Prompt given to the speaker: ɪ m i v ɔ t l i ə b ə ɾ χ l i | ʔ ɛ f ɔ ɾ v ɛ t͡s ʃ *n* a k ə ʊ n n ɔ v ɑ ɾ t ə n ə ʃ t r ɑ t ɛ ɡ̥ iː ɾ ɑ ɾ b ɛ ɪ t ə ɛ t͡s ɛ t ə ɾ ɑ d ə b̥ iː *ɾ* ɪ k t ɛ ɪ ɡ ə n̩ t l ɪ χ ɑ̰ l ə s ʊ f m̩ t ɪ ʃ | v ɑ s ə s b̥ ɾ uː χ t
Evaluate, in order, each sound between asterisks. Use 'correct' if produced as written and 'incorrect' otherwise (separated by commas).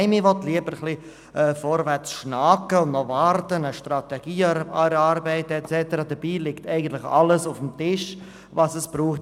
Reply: correct, incorrect